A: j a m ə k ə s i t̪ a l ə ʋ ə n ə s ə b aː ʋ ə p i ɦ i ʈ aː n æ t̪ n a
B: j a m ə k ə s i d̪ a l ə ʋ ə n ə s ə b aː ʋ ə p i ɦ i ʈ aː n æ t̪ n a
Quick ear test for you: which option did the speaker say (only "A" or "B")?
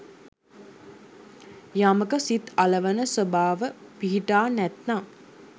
A